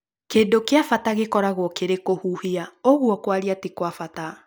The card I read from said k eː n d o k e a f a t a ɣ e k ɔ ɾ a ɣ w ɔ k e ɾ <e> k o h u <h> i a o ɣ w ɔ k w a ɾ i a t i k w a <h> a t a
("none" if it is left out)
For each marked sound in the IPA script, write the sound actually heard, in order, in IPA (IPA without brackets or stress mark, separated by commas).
e, h, f